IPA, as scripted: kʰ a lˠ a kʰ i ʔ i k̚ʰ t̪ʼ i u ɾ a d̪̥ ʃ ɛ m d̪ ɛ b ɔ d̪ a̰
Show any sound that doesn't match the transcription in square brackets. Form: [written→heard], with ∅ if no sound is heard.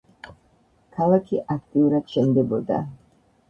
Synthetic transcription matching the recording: kʰ a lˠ a kʰ i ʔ [i→a] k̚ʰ t̪ʼ i u ɾ a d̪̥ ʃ ɛ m d̪ ɛ b ɔ d̪ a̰